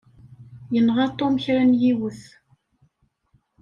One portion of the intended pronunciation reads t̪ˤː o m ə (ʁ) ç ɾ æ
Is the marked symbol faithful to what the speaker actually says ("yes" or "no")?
no